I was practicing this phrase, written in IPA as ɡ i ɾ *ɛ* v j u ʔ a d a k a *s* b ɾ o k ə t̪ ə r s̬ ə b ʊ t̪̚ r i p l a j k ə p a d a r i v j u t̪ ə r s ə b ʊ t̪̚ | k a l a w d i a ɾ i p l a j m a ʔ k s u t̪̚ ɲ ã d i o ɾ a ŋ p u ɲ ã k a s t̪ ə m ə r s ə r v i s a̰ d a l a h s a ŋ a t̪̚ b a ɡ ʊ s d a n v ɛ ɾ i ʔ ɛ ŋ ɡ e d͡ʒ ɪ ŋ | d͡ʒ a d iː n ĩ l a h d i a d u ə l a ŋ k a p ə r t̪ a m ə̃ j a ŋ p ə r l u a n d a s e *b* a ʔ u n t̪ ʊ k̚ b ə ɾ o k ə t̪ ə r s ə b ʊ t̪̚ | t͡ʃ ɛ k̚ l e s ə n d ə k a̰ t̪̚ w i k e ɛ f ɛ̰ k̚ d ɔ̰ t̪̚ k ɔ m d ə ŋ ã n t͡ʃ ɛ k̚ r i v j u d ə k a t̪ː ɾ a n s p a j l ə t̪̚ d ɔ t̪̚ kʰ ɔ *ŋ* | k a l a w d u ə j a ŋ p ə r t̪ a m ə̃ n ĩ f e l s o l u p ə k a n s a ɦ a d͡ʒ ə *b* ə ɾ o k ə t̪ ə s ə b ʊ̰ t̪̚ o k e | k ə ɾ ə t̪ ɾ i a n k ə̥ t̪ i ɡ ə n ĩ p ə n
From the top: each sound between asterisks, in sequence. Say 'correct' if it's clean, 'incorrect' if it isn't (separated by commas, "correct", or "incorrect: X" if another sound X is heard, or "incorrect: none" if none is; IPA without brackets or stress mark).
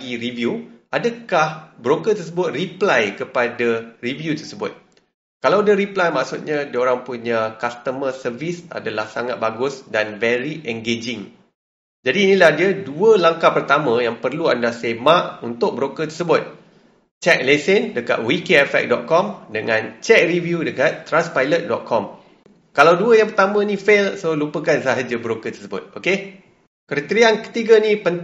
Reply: incorrect: i, incorrect: h, incorrect: m, incorrect: m, correct